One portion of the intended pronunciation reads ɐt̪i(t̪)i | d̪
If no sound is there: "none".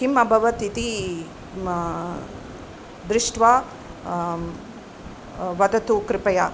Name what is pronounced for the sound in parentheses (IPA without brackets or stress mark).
t̪